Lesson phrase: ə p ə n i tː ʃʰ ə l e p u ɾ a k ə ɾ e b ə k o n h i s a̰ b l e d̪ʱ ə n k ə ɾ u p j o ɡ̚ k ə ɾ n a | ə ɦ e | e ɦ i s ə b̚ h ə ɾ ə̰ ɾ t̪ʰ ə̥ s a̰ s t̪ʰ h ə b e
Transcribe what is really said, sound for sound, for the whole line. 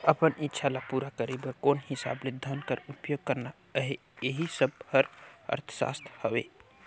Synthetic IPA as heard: ə p ə n i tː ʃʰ a l a p u ɾ a k ə ɾ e b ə k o n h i s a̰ b l e d̪ʱ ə n k ə ɾ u p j o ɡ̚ k ə ɾ n a | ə ɦ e | e ɦ i s ə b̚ h ə ɾ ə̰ ɾ t̪ʰ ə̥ s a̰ s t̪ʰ h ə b e